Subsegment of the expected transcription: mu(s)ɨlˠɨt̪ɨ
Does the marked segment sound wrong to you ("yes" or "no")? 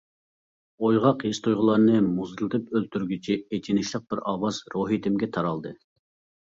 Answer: yes